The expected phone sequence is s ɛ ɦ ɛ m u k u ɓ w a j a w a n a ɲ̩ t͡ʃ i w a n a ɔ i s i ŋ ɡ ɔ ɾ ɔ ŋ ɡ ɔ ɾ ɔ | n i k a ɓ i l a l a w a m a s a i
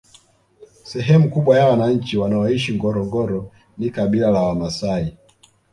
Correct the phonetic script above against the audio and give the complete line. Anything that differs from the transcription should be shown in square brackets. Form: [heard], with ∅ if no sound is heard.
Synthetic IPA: s ɛ ɦ ɛ m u k u ɓ w a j a w a n a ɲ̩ t͡ʃ i w a n a ɔ i [ʃ] i ŋ ɡ ɔ ɾ ɔ ŋ ɡ ɔ ɾ ɔ | n i k a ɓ i l a l a w a m a s a i